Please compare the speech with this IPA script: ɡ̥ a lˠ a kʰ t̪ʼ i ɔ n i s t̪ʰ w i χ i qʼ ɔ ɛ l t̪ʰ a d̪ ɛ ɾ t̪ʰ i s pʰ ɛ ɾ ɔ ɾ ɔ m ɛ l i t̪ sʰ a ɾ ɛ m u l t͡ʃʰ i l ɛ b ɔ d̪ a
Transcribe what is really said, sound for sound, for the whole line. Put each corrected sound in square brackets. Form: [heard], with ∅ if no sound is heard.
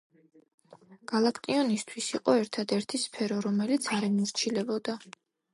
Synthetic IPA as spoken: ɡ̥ a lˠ a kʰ t̪ʼ i ɔ n i s t̪ʰ w i [s] i qʼ ɔ ɛ [ɾ] t̪ʰ a d̪ ɛ ɾ t̪ʰ i s pʰ ɛ ɾ ɔ ɾ ɔ m ɛ l i t̪ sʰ a ɾ ɛ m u [ɾ] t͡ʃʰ i l ɛ b ɔ d̪ a